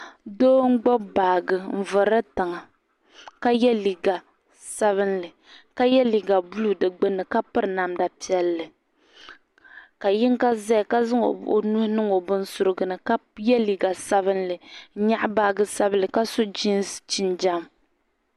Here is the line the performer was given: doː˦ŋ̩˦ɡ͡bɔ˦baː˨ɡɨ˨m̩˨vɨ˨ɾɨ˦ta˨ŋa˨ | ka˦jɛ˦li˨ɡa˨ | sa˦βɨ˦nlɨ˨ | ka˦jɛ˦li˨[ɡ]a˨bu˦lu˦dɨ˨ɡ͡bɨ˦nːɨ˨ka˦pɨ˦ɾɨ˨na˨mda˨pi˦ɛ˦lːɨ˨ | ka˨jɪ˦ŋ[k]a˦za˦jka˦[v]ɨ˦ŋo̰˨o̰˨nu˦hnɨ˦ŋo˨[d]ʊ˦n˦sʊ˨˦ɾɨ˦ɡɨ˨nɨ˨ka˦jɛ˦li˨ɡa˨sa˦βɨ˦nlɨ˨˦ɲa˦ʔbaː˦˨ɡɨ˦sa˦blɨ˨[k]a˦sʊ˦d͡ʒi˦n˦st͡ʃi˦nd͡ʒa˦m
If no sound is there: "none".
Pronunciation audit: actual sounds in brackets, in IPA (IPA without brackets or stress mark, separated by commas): ɡ, k, z, b, k